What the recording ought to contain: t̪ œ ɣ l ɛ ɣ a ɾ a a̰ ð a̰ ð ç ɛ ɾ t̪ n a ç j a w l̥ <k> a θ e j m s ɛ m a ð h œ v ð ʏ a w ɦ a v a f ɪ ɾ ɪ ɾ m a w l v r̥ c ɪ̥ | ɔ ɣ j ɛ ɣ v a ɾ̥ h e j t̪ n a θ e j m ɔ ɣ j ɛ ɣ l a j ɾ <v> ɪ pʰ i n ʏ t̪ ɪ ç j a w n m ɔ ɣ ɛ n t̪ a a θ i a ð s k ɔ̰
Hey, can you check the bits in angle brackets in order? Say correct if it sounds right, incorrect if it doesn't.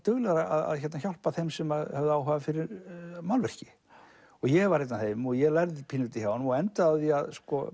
incorrect, incorrect

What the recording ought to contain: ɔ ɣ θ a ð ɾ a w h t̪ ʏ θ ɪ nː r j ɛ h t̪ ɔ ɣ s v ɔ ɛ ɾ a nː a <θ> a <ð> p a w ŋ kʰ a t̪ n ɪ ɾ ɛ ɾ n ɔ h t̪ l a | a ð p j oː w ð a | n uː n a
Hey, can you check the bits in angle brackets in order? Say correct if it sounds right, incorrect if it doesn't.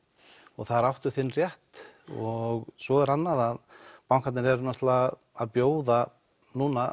incorrect, correct

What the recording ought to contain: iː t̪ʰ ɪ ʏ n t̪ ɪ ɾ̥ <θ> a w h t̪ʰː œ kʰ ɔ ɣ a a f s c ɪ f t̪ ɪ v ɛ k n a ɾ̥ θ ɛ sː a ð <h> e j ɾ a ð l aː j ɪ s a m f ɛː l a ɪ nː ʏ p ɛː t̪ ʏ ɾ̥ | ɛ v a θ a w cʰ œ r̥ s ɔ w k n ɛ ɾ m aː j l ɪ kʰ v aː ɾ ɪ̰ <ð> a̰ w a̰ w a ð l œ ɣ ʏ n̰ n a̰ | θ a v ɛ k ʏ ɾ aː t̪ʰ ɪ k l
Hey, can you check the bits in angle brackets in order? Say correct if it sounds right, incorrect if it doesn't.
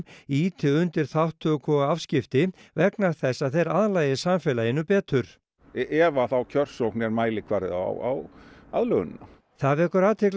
correct, incorrect, correct

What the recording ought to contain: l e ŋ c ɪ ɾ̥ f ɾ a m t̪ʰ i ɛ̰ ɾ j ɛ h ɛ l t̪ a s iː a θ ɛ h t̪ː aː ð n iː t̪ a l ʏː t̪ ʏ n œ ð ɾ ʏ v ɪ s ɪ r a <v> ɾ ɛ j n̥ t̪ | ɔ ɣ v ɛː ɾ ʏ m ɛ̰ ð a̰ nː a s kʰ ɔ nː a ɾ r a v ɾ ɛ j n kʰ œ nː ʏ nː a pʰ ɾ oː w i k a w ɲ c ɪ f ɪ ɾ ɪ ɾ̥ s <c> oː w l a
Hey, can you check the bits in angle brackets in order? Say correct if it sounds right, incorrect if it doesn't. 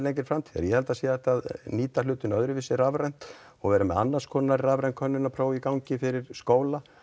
correct, incorrect

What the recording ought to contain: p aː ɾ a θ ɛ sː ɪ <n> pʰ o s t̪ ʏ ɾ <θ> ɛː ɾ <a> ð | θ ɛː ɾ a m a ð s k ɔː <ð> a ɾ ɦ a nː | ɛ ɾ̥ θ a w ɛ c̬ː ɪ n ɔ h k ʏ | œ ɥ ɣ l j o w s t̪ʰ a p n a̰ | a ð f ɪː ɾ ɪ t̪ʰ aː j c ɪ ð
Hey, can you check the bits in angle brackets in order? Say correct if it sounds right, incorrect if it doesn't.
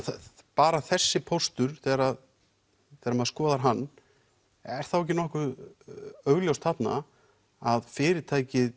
incorrect, correct, correct, correct

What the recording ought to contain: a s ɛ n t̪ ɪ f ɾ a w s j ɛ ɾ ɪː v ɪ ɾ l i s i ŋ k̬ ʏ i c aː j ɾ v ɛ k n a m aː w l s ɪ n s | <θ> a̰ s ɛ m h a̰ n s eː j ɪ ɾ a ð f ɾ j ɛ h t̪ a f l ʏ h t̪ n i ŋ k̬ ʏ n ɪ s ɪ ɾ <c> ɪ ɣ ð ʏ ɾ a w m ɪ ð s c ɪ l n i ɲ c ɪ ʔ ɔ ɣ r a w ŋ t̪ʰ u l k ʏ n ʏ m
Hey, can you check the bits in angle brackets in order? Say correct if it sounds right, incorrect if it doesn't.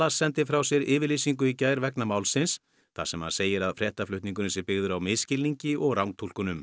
correct, incorrect

